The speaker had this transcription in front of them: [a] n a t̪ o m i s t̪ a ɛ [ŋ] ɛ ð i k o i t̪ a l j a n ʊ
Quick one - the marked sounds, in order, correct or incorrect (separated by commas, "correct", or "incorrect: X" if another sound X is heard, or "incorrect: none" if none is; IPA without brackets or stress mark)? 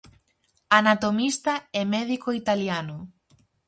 correct, incorrect: m